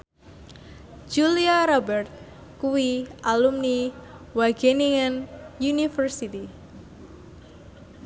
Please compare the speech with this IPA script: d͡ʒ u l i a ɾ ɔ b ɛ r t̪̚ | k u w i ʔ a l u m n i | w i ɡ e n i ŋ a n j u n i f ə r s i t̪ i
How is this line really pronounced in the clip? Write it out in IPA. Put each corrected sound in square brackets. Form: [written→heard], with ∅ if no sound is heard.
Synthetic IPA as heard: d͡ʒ u l i a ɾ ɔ b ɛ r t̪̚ | k u w i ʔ a l u m n i | w [i→a] ɡ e n i ŋ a n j u n i f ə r s i t̪ i